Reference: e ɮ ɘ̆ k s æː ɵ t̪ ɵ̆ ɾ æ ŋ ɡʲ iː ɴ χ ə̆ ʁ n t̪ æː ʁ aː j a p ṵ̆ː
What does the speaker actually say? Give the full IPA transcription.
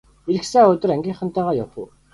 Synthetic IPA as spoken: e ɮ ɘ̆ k s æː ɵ t̪ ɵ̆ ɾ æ ŋ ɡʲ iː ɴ χ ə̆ n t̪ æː ʁ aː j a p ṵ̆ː